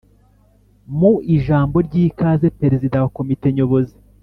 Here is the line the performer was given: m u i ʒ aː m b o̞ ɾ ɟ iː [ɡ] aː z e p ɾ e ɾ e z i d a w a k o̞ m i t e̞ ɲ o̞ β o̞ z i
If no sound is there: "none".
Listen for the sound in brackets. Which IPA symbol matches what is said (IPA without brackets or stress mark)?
k